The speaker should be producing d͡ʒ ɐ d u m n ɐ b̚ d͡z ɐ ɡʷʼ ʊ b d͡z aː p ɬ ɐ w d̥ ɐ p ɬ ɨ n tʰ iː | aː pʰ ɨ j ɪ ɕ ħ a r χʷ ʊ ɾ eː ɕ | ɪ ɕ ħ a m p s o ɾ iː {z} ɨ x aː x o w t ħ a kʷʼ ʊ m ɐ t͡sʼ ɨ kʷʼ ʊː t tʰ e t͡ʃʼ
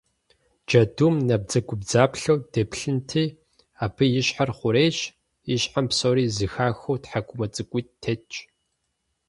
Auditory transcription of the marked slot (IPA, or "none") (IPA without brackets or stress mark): z